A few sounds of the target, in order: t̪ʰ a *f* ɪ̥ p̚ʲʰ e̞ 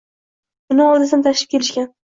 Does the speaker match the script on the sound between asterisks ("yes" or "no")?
no